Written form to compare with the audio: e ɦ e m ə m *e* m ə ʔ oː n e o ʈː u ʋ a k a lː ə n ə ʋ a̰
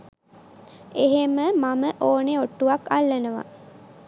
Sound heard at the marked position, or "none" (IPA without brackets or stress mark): a